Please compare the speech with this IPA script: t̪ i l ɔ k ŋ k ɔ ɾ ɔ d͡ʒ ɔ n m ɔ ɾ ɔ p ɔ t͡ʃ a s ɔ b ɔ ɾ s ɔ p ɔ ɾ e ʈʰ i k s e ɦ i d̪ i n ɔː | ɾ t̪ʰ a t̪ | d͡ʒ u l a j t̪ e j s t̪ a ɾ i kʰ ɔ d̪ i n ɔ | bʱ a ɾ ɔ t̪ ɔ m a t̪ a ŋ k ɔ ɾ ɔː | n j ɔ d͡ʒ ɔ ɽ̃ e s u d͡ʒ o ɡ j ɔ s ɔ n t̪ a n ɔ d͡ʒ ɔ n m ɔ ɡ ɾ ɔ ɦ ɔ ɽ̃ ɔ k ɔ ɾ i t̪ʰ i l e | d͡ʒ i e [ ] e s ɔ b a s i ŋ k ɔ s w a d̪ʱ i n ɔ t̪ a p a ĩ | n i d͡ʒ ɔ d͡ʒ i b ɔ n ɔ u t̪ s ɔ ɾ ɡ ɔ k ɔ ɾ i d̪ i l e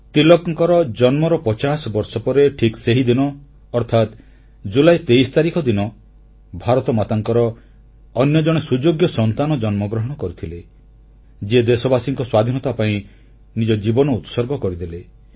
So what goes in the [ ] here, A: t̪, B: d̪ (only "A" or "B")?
B